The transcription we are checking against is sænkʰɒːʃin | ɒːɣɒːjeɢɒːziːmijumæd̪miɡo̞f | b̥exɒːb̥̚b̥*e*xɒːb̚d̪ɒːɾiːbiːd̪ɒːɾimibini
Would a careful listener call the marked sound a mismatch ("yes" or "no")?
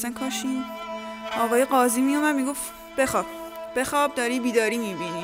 no